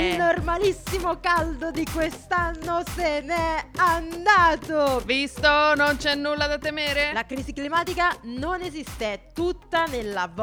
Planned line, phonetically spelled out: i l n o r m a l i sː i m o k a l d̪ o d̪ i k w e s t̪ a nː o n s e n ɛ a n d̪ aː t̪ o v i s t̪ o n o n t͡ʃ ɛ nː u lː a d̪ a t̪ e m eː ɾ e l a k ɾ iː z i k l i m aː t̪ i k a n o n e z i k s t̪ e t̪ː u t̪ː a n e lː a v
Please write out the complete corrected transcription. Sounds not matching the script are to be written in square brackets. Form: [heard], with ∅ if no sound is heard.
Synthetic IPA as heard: i l n o r m a l i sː i m o k a l d̪ o d̪ i k w e s t̪ a nː o [∅] s e n ɛ a n d̪ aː t̪ o v i s t̪ o n o n t͡ʃ ɛ nː u lː a d̪ a t̪ e m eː ɾ e l a k ɾ iː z i k l i m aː t̪ i k a n o n e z i [∅] s t̪ e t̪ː u t̪ː a n e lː a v